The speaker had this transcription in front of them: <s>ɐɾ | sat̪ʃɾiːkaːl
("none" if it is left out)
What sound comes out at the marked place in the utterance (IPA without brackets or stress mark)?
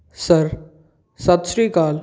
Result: s